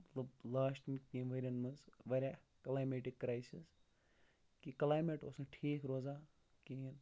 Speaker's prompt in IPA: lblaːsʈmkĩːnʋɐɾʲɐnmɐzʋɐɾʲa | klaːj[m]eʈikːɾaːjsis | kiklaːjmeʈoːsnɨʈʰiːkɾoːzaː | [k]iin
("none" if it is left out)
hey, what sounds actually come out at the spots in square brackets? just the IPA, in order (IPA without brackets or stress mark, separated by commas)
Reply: m, k